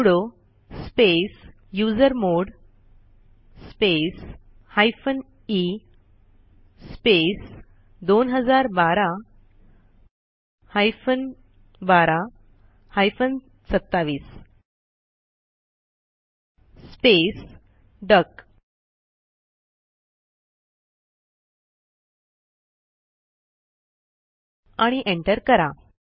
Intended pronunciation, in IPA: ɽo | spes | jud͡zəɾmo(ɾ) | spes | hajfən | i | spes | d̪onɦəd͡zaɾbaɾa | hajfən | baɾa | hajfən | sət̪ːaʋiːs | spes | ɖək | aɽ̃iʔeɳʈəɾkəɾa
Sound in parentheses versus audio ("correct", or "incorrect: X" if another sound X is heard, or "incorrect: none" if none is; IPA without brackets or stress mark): incorrect: ɽ